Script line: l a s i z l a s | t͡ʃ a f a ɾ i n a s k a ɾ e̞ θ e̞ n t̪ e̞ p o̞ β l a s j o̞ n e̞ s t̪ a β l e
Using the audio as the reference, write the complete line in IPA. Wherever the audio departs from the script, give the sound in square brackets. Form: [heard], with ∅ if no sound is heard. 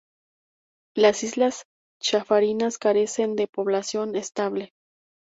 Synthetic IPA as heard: l a s i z l a s | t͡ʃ a f a ɾ i n a s k a ɾ e̞ [s] e̞ n [d̪] e̞ p o̞ β l a s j o̞ n e̞ s t̪ a β l e